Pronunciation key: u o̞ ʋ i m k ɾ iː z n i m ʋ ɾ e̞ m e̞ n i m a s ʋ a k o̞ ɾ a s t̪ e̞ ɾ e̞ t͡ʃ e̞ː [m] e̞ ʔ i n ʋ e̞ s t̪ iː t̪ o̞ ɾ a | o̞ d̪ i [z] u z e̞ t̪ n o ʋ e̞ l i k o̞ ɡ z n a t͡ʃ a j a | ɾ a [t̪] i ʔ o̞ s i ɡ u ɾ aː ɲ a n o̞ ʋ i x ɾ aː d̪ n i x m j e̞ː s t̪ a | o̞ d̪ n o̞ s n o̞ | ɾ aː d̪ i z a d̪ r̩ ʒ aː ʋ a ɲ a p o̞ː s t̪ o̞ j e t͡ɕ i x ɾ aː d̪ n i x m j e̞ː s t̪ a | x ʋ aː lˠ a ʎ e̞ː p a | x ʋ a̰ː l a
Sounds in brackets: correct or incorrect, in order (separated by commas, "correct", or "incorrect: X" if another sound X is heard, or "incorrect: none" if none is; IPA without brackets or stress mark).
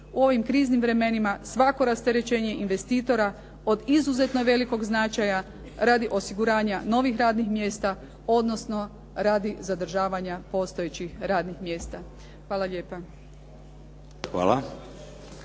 incorrect: ɲ, correct, incorrect: d̪